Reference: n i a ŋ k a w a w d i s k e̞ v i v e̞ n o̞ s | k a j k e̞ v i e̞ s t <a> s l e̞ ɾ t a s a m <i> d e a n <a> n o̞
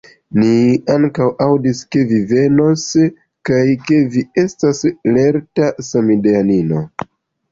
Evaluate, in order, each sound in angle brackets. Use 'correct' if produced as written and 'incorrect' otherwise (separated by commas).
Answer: correct, correct, incorrect